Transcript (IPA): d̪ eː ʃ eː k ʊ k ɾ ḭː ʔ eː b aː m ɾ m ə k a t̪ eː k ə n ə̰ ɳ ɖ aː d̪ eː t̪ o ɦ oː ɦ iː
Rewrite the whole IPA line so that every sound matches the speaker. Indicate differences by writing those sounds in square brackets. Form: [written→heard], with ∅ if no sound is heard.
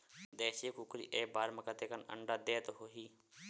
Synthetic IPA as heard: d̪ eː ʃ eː k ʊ k ɾ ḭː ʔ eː b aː [m→∅] ɾ m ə k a t̪ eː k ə n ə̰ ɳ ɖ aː d̪ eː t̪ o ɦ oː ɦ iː

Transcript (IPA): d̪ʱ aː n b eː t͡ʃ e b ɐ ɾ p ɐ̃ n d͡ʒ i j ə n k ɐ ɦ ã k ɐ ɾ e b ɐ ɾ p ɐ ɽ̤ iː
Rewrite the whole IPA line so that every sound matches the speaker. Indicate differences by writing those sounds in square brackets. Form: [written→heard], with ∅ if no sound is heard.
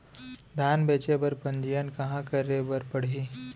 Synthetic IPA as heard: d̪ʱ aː n b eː t͡ʃ e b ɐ ɾ p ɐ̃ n d͡ʒ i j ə n k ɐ ɦ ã k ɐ ɾ e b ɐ ɾ p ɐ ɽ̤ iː

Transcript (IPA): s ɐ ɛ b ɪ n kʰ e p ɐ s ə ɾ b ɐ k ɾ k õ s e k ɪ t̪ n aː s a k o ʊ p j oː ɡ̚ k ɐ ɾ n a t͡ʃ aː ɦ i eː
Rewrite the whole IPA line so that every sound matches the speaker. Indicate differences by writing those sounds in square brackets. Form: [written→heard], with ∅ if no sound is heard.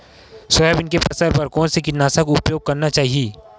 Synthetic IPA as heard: s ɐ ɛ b ɪ n [kʰ→k] e p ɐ s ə ɾ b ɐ [k→∅] ɾ k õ s e k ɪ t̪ n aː s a k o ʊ p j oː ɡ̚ k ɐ ɾ n a t͡ʃ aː ɦ i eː

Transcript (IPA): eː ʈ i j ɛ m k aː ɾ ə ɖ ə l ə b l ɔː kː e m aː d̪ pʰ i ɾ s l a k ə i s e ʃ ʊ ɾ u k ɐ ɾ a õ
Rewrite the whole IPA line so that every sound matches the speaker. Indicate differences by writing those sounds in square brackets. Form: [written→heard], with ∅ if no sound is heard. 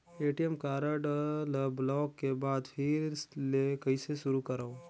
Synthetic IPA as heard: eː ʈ i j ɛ m k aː ɾ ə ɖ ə l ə b l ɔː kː e [m→b] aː d̪ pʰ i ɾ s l [a→e] k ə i s e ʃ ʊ ɾ u k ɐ ɾ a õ

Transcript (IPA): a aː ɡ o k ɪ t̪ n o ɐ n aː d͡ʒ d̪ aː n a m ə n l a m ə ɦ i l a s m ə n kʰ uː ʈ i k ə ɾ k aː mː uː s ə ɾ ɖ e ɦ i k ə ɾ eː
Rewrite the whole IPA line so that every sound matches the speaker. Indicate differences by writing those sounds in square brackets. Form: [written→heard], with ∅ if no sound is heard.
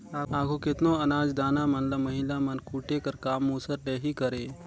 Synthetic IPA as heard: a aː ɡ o k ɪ t̪ n o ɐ n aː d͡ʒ d̪ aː n a m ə n l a m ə ɦ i l a [s→∅] m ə n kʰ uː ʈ [i→e] k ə ɾ k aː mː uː s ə ɾ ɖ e ɦ i k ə ɾ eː

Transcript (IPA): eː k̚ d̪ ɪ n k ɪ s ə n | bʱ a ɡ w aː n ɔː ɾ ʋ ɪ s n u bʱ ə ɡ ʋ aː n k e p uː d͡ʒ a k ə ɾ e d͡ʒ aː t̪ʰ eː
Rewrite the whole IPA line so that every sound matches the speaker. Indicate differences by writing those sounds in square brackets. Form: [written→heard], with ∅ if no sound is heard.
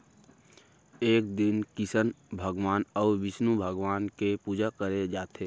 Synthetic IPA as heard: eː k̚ d̪ ɪ n k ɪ s ə n | bʱ [a→ə] ɡ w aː n ɔː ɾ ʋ ɪ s n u bʱ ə ɡ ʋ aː n k e p uː d͡ʒ a k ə ɾ e d͡ʒ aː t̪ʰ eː

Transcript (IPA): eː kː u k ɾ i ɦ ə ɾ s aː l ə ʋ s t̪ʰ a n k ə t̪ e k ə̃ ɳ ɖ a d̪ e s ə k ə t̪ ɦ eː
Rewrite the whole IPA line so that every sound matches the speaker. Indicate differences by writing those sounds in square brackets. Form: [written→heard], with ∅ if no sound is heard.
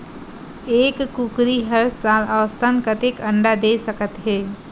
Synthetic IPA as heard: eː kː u k ɾ i ɦ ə ɾ s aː l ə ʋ s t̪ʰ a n k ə t̪ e k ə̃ ɳ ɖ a d̪ e s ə k ə t̪ ɦ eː

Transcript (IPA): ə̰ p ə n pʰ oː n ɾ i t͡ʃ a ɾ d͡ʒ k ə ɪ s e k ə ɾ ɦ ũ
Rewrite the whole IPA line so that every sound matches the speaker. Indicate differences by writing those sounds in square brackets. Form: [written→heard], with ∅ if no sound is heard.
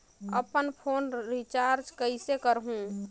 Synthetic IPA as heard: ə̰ p ə n pʰ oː n ɾ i t͡ʃ a ɾ d͡ʒ k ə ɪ s e k ə ɾ ɦ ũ

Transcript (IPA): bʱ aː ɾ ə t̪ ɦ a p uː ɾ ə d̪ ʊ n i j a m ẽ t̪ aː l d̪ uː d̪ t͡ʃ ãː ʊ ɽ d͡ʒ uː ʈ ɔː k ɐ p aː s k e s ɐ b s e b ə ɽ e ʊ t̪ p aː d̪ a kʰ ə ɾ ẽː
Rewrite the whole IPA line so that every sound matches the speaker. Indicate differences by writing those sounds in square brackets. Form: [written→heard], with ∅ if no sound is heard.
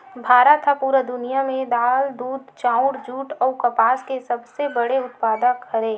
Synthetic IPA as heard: bʱ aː ɾ ə t̪ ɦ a p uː ɾ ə d̪ ʊ n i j a m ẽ [t̪→d̪] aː l d̪ uː d̪ t͡ʃ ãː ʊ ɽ d͡ʒ uː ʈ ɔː k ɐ p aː s k e s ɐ b s e b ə ɽ e ʊ t̪ p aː d̪ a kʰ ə ɾ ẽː

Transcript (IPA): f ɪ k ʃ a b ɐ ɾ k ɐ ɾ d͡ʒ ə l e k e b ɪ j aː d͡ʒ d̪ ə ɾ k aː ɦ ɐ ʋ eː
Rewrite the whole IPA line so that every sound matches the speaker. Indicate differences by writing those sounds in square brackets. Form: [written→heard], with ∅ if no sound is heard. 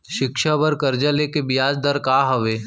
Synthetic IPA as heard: [f→ʃ] ɪ k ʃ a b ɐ ɾ k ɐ ɾ d͡ʒ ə l e k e b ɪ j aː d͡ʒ d̪ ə ɾ k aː ɦ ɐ ʋ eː

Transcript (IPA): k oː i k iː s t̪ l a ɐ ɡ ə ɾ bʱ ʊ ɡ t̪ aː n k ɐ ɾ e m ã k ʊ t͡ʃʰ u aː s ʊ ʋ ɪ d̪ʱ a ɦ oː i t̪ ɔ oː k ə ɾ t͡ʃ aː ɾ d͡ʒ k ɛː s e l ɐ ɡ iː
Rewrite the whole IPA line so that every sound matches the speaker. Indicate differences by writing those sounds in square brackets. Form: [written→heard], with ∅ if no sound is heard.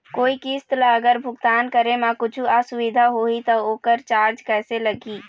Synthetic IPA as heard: k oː i k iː s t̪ l a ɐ ɡ ə ɾ bʱ ʊ ɡ t̪ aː n k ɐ ɾ e m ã k ʊ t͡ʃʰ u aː s ʊ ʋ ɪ d̪ʱ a ɦ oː i t̪ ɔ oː k ə ɾ t͡ʃ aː ɾ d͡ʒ k ɛː s e l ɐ ɡ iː

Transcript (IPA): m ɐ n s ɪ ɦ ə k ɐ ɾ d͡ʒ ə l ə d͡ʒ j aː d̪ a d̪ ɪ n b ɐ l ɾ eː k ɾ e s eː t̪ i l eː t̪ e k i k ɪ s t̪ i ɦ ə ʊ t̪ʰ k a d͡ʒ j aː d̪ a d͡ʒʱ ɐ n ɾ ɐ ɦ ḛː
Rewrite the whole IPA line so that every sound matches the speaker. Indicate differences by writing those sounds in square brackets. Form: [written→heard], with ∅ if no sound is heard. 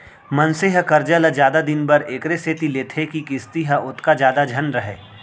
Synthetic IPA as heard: m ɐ n s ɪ ɦ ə k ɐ ɾ d͡ʒ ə l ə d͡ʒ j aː d̪ a d̪ ɪ n b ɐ [l→∅] ɾ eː k ɾ e s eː t̪ i l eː [t̪→t̪ʰ] e k i k ɪ s t̪ i ɦ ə ʊ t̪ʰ k a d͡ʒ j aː d̪ a d͡ʒʱ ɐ n ɾ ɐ ɦ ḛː

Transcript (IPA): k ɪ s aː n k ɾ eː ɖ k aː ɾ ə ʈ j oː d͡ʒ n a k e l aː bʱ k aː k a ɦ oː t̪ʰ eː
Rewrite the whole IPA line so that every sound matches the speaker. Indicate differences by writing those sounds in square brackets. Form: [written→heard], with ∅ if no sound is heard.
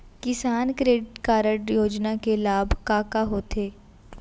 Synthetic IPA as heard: k ɪ s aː n k ɾ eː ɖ k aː ɾ ə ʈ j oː d͡ʒ n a k e l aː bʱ k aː k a ɦ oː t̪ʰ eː

